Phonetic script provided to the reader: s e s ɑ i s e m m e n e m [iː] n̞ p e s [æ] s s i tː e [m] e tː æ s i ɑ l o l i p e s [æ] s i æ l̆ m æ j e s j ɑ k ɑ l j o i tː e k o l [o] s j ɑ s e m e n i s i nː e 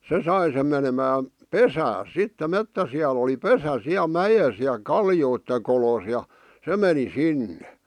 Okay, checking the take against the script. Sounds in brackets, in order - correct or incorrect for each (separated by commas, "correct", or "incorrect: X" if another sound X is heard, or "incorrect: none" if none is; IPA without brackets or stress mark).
incorrect: æː, incorrect: æː, correct, correct, correct